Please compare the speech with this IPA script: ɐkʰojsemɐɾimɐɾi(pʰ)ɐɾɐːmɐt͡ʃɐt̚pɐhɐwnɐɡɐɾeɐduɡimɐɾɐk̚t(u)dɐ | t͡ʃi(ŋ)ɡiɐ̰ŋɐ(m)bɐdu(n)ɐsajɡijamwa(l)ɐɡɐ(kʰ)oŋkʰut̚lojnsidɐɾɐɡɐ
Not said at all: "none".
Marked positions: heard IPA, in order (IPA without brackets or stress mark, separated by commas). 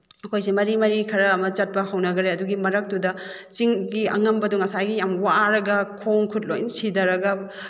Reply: kʰ, u, ŋ, m, ŋ, ɾ, kʰ